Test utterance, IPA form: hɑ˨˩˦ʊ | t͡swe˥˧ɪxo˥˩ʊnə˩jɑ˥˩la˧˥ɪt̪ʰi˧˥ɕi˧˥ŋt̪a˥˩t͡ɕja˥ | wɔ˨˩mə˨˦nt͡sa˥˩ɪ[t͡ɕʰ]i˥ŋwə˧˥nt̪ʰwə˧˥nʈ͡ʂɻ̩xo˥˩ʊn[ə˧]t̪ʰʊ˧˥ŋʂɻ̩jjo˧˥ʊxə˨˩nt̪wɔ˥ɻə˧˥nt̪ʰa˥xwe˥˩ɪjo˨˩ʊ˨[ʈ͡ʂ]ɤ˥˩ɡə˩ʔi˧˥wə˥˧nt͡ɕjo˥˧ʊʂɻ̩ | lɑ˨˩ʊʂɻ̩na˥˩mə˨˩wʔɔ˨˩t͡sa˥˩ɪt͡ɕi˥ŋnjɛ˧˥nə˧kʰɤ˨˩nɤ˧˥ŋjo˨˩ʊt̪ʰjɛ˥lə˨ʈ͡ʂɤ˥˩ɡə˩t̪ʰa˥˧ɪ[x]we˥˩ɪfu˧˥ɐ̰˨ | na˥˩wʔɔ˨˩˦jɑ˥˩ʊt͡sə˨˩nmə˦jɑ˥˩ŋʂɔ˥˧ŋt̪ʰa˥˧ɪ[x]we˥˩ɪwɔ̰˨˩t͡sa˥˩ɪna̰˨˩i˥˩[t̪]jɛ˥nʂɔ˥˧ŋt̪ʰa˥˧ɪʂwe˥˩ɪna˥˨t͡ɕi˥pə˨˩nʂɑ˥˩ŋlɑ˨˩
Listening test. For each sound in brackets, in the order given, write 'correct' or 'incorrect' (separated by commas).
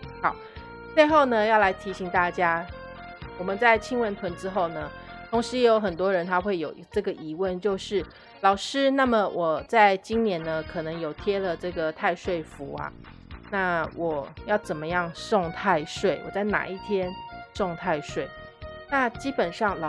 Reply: correct, incorrect, correct, incorrect, incorrect, incorrect